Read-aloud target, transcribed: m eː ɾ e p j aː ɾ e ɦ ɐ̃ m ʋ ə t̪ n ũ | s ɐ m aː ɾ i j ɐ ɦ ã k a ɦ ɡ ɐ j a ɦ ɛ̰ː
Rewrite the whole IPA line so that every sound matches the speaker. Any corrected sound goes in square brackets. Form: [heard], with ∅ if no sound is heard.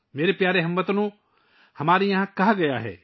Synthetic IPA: m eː ɾ e p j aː ɾ e ɦ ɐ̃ m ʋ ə t̪ n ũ | [h] ɐ m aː ɾ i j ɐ ɦ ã k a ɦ ɡ ɐ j a ɦ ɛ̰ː